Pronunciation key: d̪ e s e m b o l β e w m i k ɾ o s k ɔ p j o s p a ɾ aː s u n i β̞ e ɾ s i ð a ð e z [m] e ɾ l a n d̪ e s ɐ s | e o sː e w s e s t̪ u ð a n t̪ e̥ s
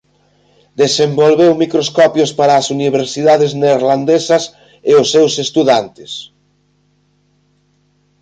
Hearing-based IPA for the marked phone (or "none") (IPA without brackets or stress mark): n